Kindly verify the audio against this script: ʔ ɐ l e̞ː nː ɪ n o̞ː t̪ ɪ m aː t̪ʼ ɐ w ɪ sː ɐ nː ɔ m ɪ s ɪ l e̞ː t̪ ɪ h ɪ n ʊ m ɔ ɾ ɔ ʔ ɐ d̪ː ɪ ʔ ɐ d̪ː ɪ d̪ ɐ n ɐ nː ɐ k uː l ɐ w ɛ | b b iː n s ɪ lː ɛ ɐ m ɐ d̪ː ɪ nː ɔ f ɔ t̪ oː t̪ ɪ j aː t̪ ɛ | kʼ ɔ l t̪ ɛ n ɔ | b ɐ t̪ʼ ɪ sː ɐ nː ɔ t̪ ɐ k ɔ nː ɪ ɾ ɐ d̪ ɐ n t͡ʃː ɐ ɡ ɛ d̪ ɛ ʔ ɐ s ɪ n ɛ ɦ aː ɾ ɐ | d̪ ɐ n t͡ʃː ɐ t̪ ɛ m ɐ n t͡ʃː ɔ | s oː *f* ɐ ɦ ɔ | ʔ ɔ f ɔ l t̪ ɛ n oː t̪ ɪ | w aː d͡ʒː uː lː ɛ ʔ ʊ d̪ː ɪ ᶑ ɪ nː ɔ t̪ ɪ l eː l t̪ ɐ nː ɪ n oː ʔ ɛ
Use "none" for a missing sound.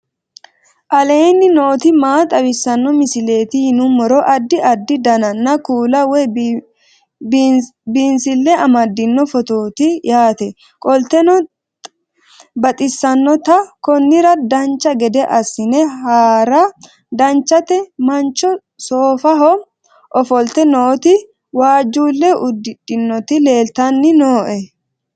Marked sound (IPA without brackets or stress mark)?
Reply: f